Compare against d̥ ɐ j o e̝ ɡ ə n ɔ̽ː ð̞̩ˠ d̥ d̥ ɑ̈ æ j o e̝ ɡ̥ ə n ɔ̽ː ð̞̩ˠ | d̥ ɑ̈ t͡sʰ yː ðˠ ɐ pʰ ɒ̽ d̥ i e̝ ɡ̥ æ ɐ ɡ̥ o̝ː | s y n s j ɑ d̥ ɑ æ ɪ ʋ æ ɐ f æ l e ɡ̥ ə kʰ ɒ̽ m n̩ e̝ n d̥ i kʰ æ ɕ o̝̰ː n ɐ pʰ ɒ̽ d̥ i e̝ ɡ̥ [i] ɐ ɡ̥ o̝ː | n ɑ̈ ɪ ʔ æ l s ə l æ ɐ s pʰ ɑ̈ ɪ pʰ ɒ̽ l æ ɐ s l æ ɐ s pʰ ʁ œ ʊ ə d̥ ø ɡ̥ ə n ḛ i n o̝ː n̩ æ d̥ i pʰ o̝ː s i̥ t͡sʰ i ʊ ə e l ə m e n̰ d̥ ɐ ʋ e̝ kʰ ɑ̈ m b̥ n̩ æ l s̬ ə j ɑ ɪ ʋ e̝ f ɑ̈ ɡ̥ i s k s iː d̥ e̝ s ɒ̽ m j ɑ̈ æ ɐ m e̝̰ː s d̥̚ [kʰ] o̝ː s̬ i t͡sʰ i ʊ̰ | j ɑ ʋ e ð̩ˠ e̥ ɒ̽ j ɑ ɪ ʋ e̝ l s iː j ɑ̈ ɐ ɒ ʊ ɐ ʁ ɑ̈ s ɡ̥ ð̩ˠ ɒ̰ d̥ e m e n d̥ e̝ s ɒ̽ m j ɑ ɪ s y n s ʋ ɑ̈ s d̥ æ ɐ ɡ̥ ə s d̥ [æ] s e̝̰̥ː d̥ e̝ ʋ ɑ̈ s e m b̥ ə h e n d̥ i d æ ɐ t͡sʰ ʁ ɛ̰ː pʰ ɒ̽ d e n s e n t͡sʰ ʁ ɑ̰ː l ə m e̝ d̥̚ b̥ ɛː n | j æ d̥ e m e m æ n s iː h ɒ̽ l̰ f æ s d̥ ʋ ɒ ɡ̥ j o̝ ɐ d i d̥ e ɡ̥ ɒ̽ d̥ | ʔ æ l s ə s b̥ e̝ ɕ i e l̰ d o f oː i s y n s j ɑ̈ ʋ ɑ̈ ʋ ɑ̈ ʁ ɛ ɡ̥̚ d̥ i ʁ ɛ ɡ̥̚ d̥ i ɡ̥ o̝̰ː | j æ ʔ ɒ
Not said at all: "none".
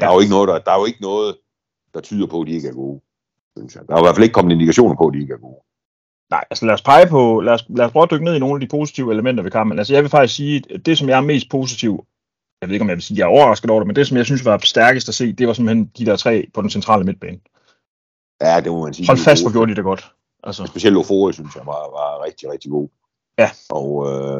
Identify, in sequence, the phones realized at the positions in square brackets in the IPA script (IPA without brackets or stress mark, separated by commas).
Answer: æ, pʰ, æ